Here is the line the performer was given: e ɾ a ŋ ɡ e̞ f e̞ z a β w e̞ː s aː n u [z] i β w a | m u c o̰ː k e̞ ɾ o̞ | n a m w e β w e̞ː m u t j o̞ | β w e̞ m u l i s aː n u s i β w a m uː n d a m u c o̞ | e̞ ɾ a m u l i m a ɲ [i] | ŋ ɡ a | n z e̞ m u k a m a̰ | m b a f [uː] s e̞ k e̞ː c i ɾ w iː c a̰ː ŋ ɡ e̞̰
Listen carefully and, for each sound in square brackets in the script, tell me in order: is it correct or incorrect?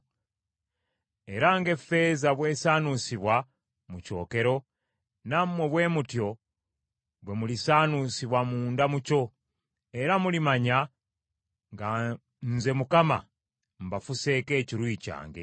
incorrect, incorrect, incorrect

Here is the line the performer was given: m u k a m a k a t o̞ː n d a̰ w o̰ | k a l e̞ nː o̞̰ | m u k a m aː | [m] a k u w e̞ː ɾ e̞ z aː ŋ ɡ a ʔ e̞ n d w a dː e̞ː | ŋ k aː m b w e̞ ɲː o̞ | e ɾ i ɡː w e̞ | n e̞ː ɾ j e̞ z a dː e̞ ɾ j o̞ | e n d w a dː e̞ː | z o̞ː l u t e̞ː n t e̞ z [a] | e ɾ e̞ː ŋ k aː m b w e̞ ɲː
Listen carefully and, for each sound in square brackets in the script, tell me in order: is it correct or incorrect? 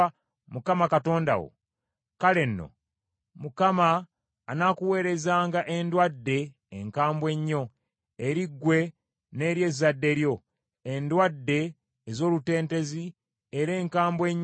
incorrect, incorrect

